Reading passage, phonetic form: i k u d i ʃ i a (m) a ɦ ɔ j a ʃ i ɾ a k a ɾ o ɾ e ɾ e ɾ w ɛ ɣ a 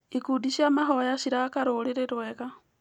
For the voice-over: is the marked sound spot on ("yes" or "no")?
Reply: yes